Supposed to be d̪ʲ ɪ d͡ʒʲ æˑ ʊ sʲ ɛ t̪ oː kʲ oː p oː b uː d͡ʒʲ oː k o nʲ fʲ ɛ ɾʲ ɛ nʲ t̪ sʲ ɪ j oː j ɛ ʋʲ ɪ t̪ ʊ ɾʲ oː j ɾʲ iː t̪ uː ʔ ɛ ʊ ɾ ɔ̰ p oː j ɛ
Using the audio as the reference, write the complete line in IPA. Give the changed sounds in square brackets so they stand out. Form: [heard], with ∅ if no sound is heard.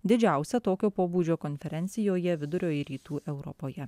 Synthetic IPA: d̪ʲ ɪ d͡ʒʲ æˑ ʊ sʲ ɛ t̪ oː kʲ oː p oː b uː d͡ʒʲ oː k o nʲ fʲ ɛ ɾʲ ɛ nʲ t̪ sʲ ɪ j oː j ɛ ʋʲ ɪ [d̪] ʊ ɾʲ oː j ɾʲ iː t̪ uː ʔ ɛ ʊ ɾ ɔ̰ p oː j ɛ